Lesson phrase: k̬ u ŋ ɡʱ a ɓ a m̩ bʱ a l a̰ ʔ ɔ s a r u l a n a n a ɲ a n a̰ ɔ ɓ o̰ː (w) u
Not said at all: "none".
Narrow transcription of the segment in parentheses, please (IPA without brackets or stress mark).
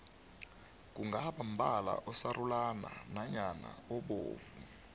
v